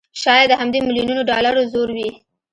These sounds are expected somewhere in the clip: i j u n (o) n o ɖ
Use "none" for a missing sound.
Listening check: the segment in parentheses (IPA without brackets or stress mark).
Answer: u